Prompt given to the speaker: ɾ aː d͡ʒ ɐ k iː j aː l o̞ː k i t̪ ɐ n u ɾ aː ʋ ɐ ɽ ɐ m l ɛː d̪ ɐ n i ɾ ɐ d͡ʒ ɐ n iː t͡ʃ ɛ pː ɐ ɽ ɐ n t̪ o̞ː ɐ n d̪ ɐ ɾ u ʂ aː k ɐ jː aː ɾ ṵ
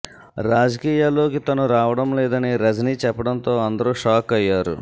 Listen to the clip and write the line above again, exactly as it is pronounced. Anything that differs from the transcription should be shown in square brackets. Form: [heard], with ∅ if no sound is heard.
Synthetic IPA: ɾ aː d͡ʒ ɐ k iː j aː l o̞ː k i t̪ ɐ n u ɾ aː ʋ ɐ ɽ ɐ m l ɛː d̪ ɐ n i ɾ ɐ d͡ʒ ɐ n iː t͡ʃ ɛ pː ɐ ɽ ɐ n t̪ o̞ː ɐ n d̪ ɐ ɾ u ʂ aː k ɐ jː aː ɾ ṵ